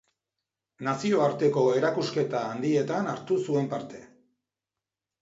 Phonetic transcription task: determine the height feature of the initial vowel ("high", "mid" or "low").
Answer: low